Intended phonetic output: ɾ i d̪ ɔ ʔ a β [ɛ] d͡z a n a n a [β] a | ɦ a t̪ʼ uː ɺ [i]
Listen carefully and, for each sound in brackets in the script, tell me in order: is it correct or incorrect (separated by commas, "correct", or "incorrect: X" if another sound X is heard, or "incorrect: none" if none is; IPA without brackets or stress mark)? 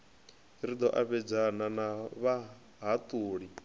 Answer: correct, correct, correct